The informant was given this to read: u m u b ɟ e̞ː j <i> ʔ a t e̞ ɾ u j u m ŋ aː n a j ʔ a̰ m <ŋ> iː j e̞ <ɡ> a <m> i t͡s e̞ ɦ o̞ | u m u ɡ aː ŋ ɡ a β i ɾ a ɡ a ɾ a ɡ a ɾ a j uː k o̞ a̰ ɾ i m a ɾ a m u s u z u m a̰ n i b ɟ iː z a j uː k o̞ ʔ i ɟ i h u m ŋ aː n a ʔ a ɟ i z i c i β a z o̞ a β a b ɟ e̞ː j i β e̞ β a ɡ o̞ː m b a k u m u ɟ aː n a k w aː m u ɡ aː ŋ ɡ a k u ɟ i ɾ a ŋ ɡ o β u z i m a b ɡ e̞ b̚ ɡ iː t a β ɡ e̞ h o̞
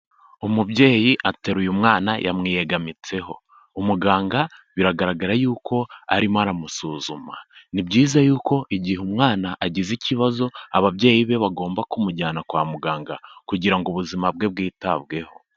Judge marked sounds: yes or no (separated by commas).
yes, yes, yes, yes